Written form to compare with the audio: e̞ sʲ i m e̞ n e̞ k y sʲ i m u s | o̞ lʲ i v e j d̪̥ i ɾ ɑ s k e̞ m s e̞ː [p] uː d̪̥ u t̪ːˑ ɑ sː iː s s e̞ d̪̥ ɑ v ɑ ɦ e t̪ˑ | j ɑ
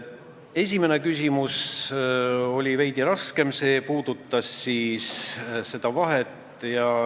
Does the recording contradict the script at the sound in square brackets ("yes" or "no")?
no